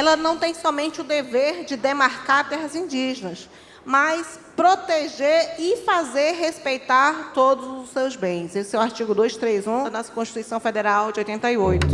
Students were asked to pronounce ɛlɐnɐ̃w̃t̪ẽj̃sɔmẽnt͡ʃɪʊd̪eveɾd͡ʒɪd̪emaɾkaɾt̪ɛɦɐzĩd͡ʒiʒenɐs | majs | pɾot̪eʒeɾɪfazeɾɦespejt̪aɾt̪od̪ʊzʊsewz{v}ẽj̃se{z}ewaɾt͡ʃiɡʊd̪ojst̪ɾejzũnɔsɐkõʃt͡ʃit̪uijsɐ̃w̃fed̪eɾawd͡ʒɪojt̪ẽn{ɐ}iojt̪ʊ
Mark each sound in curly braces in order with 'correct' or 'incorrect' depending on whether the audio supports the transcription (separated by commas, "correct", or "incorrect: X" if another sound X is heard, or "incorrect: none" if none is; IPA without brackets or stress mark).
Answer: incorrect: b, incorrect: s, correct